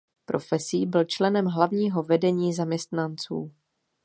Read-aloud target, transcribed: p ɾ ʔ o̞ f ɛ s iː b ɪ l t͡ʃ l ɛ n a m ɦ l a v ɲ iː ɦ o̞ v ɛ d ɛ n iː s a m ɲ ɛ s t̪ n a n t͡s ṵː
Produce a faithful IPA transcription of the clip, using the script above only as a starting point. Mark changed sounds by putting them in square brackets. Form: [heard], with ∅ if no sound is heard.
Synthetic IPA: p ɾ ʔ o̞ f ɛ s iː b ɪ l t͡ʃ l ɛ n [ɛ] m ɦ l a v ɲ iː ɦ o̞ v ɛ d ɛ [ɲ] iː [z] a m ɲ ɛ s t̪ n a n t͡s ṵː

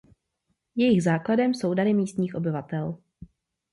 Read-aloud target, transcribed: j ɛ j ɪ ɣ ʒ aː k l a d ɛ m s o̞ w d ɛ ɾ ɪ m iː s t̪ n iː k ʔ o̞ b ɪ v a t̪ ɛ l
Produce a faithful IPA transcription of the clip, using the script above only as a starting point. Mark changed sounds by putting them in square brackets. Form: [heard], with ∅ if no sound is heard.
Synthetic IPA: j ɛ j ɪ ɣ [z] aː k l a d ɛ m s o̞ w d [a] ɾ ɪ m iː s t̪ [ɲ] iː [x] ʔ o̞ b ɪ v a t̪ ɛ l

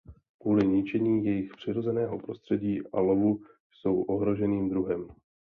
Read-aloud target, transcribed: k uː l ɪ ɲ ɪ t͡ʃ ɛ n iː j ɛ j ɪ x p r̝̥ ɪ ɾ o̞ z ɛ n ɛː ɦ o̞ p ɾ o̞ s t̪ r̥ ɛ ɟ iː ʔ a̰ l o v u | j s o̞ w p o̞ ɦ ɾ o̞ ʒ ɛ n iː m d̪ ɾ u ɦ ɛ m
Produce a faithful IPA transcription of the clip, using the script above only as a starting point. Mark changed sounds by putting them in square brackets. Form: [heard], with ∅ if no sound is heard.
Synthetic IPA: k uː l ɪ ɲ ɪ t͡ʃ ɛ [ɲ] iː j ɛ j ɪ x p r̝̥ ɪ ɾ o̞ z ɛ n ɛː ɦ o̞ p ɾ o̞ s t̪ r̥ ɛ ɟ iː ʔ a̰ l o v u | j s o̞ w [ʔ] o̞ ɦ ɾ o̞ ʒ ɛ n iː m d̪ ɾ u ɦ ɛ m

